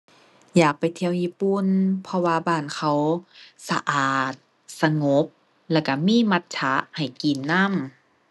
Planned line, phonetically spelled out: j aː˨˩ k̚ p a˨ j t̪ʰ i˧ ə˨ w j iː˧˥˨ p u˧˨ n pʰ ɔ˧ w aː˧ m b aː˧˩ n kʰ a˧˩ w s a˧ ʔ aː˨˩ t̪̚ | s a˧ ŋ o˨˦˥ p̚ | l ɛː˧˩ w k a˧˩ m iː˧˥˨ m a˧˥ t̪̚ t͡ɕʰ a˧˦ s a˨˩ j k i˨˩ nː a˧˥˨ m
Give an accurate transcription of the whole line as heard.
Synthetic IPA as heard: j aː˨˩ k̚ p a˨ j t̪ʰ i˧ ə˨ w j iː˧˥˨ p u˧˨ n pʰ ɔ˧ w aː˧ b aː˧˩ n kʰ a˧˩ w s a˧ ʔ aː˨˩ t̪̚ | s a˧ ŋ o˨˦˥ p̚ | l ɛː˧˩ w k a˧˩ m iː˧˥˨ m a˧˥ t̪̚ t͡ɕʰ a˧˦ h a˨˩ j k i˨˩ nː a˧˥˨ m

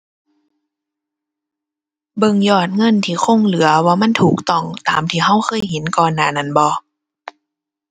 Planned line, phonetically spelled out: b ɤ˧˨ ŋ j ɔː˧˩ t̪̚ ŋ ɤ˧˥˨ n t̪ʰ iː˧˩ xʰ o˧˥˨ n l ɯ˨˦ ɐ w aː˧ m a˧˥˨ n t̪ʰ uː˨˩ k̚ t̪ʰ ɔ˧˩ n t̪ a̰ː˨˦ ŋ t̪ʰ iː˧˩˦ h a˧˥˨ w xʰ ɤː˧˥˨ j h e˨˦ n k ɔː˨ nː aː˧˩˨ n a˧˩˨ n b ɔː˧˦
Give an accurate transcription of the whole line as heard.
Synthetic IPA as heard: b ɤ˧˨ ŋ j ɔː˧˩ t̪̚ ŋ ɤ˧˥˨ n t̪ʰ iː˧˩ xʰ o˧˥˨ ŋ l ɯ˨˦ ɐ w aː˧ m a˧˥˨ n t̪ʰ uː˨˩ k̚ t̪ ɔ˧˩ ŋ t̪ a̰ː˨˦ m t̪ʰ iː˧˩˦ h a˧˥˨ w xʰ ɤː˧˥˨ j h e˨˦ n k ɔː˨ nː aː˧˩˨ n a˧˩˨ n b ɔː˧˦

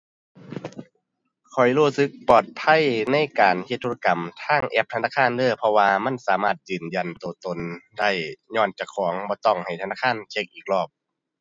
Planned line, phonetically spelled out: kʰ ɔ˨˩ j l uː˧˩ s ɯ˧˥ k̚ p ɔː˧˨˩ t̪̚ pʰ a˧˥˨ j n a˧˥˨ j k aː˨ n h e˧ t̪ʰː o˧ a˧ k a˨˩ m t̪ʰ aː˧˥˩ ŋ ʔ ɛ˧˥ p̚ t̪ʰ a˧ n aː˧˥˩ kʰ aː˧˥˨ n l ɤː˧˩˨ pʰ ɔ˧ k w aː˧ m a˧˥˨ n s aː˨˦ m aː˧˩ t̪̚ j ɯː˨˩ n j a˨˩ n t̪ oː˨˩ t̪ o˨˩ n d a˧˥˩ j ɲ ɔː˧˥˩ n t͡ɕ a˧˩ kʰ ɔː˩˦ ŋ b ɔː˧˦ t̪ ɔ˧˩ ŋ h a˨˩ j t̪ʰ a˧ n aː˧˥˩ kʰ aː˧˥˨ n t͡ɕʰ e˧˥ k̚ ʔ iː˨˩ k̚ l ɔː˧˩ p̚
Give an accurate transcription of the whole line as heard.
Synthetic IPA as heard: kʰ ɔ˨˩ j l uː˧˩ s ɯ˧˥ k̚ p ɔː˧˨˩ t̪̚ pʰ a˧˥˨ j n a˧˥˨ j k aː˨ n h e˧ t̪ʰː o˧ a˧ k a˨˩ m t̪ʰ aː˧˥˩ ŋ ʔ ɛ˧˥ p̚ t̪ʰ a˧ n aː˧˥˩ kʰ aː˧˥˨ n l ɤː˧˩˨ pʰ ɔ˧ w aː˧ m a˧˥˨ n s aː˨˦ m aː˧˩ t̪̚ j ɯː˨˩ n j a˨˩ n t̪ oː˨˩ t̪ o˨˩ n d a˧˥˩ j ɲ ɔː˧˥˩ n t͡ɕ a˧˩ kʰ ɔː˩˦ ŋ b ɔː˧˦ t̪ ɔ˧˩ ŋ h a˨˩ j t̪ʰ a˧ n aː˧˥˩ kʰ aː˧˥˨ n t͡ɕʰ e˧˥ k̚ ʔ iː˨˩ k̚ l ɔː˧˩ p̚

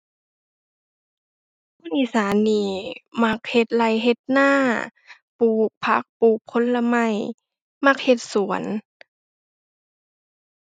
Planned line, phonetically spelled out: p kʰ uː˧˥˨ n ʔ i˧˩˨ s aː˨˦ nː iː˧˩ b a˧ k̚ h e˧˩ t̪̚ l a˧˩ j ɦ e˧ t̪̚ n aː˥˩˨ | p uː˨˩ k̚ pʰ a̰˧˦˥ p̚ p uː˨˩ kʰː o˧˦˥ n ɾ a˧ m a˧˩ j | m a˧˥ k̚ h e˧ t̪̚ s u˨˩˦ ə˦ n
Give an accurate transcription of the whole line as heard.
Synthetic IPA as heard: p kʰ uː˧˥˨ n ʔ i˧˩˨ s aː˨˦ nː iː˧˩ m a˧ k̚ h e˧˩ t̪̚ l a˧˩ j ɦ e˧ t̪̚ n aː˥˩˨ | p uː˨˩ k̚ pʰ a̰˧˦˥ k̚ p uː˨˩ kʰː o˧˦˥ n l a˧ m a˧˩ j | m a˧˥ k̚ h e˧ t̪̚ s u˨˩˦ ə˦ n

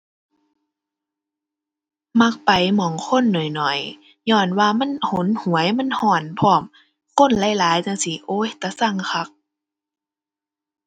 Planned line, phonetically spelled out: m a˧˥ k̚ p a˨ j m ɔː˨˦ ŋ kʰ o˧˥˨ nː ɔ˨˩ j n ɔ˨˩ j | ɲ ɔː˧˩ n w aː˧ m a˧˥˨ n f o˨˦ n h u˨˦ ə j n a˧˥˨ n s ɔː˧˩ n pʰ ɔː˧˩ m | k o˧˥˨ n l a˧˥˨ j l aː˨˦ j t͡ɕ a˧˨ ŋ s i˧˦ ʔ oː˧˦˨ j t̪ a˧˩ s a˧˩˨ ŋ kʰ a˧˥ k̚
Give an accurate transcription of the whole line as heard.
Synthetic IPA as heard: m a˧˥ k̚ p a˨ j m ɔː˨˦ ŋ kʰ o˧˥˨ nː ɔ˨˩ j n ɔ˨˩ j | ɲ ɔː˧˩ n w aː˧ m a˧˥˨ n h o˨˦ n h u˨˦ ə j m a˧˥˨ n h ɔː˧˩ n pʰ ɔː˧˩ m | k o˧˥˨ n l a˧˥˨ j l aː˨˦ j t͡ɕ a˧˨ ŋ s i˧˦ ʔ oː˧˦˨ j t̪ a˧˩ s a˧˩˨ ŋ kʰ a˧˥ k̚

